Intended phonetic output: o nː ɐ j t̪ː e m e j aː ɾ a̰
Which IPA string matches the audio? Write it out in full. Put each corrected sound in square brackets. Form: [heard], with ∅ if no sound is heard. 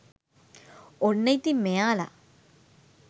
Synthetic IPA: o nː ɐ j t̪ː [i] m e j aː [l] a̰